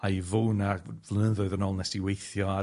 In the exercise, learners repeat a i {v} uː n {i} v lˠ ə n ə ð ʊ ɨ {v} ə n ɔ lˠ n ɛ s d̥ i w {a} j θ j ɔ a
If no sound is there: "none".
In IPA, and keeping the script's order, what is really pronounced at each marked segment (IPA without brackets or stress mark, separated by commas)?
v, a, ð, e